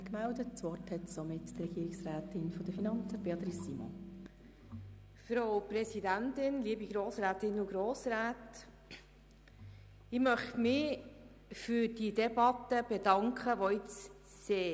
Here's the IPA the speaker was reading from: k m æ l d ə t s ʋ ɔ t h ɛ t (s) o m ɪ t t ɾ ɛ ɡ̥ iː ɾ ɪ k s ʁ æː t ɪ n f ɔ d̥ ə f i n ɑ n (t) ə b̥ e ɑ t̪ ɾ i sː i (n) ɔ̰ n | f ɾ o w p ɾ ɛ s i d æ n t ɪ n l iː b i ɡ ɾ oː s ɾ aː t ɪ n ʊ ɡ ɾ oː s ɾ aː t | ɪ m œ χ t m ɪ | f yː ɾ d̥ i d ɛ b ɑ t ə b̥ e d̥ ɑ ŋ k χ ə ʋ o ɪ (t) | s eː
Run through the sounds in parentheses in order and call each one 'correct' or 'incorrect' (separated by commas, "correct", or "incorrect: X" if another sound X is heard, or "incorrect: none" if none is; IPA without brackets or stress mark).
correct, incorrect: t͡s, incorrect: m, incorrect: t͡s